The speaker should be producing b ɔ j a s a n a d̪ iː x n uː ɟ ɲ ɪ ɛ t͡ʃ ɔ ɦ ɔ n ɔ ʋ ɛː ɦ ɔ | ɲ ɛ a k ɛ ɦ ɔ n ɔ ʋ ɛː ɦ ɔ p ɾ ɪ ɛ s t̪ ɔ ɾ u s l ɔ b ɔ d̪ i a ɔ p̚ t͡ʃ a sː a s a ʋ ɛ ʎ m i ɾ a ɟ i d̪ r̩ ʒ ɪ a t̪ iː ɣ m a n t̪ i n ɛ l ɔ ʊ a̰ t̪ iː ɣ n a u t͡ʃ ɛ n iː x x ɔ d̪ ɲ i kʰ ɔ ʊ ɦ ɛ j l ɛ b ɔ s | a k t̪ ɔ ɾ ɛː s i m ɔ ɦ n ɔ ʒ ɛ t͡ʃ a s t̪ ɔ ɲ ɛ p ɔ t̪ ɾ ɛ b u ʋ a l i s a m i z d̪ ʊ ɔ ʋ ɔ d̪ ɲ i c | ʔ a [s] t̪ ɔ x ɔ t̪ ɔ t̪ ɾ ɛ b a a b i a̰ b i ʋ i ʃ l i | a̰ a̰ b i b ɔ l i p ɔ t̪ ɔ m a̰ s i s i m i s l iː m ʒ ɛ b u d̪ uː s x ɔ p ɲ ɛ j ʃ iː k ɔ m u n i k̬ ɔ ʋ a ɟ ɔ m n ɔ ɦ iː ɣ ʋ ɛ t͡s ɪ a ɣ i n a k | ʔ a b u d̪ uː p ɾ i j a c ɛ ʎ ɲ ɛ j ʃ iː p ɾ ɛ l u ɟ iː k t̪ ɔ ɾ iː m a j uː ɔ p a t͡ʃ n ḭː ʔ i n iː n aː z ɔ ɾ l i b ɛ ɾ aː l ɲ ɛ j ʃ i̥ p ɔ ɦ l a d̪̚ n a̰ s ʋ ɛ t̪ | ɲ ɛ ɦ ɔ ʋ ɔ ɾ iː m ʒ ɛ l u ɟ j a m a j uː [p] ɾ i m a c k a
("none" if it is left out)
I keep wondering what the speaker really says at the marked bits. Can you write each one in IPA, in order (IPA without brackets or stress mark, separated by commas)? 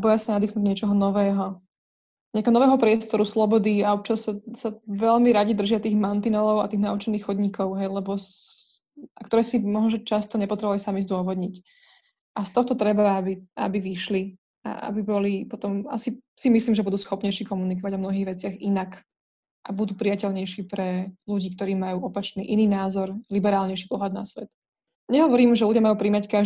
s, p